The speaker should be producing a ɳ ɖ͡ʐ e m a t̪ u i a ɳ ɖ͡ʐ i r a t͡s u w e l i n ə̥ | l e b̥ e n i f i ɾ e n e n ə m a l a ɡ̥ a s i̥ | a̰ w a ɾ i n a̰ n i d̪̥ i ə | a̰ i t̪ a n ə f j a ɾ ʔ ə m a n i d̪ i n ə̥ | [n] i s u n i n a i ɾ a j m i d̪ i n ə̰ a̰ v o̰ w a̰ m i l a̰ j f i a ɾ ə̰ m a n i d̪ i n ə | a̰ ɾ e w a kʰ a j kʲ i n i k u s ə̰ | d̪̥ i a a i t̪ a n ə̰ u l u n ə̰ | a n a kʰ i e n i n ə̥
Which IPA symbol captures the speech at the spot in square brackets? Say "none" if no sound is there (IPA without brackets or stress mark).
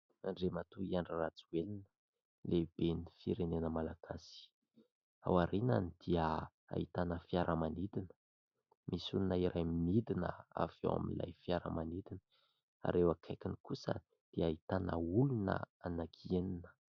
m